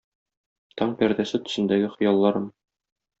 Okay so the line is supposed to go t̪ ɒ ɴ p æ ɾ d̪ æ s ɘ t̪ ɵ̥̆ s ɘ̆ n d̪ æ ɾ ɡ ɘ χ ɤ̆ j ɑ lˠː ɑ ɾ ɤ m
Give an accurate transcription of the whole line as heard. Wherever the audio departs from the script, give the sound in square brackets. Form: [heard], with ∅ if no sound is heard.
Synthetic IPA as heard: t̪ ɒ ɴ p æ ɾ d̪ æ s ɘ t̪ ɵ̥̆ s ɘ̆ n d̪ æ [∅] ɡ ɘ χ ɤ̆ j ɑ lˠː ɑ ɾ ɤ m